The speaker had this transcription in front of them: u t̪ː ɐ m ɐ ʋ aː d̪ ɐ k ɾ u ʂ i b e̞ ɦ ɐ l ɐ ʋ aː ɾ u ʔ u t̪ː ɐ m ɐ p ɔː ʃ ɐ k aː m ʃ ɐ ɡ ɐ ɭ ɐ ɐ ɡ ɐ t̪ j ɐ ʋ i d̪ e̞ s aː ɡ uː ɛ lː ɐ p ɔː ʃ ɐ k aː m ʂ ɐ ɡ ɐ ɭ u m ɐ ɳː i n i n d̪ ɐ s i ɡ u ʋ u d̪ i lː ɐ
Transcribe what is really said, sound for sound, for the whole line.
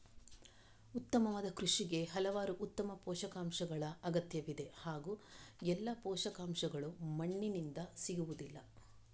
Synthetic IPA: u t̪ː ɐ m ɐ ʋ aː d̪ ɐ k ɾ u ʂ i ɡ e̞ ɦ ɐ l ɐ ʋ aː ɾ u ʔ u t̪ː ɐ m ɐ p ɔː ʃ ɐ k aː m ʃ ɐ ɡ ɐ ɭ ɐ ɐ ɡ ɐ t̪ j ɐ ʋ i d̪ e̞ h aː ɡ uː ɛ lː ɐ p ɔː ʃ ɐ k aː m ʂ ɐ ɡ ɐ ɭ u m ɐ ɳː i n i n d̪ ɐ s i ɡ u ʋ u d̪ i lː ɐ